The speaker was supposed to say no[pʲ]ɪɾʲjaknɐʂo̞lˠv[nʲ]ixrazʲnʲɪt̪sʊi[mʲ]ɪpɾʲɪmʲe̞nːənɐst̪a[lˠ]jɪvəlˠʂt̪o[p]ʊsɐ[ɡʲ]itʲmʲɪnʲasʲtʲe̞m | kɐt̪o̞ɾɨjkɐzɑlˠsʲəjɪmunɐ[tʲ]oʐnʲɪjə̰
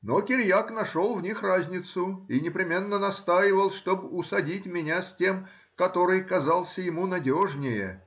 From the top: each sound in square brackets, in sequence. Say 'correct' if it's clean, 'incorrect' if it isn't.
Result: incorrect, correct, incorrect, incorrect, incorrect, incorrect, incorrect

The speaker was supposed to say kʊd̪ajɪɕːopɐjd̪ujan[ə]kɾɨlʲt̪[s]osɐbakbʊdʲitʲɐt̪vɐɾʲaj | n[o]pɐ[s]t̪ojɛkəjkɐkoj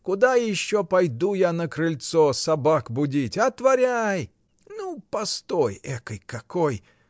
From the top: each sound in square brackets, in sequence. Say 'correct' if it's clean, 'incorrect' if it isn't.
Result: correct, correct, incorrect, correct

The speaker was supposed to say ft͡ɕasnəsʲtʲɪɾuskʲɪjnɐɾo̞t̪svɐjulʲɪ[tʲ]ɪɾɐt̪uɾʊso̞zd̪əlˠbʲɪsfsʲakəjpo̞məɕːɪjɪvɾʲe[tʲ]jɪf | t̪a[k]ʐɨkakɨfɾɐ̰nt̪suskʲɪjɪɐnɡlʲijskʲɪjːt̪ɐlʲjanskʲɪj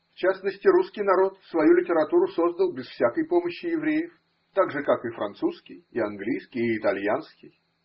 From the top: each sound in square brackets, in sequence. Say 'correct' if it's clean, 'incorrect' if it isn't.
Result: correct, incorrect, incorrect

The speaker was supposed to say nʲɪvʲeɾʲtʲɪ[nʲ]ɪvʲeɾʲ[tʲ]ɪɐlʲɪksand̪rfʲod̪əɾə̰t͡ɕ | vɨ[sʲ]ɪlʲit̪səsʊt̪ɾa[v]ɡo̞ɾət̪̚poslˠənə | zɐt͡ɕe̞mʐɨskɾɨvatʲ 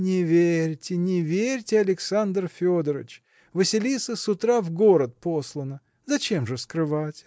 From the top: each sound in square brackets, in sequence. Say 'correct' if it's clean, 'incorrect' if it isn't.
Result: correct, correct, correct, correct

